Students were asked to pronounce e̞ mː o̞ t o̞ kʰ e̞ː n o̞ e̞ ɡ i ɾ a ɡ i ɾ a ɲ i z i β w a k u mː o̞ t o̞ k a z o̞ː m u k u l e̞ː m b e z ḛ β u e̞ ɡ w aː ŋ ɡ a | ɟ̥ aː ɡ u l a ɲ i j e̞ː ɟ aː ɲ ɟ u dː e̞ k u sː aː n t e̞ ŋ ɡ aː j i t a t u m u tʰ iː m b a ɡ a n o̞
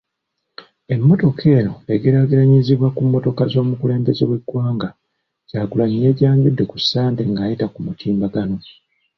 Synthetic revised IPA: e̞ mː o̞ t o̞ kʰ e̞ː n o̞ e̞ ɡ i ɾ a ɡ i ɾ a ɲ i z i β w a k u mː o̞ t o̞ k a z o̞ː m u k u l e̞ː m b e z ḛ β w e̞ ɡ w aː ŋ ɡ a | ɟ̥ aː ɡ u l a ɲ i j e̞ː ɟ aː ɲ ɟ u dː e̞ k u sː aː n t e̞ ŋ ɡ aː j i t a k u m u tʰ iː m b a ɡ a n o̞